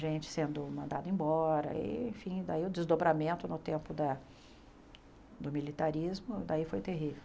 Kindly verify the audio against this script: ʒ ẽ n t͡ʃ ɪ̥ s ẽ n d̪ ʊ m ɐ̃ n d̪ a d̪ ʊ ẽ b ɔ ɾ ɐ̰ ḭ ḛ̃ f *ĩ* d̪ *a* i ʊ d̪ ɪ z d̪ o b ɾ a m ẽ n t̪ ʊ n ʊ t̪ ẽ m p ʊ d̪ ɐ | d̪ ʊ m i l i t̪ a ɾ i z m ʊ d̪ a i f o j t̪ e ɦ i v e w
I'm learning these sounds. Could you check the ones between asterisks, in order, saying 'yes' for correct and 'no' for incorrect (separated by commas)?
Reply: yes, yes